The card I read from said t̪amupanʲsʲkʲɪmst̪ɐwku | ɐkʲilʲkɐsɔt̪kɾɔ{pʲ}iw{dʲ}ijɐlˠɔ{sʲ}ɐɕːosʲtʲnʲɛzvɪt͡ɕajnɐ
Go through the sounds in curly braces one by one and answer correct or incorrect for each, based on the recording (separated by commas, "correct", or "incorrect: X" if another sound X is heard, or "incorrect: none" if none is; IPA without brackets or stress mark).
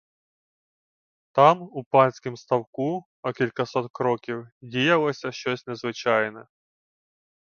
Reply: incorrect: kʲ, correct, correct